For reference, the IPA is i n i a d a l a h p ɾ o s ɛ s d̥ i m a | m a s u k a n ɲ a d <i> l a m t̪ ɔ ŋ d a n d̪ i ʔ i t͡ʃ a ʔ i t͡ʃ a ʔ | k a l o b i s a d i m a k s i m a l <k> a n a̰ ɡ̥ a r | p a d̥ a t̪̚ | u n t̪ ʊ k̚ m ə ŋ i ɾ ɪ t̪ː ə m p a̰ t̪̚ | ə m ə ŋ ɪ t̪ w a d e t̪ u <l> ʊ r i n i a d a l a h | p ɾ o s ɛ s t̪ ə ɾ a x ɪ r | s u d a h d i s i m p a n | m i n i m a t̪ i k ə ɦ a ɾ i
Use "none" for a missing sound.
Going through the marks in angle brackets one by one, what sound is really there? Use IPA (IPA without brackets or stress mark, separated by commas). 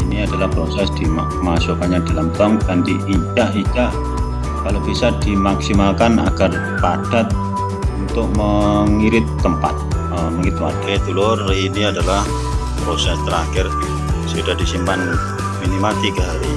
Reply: a, k, l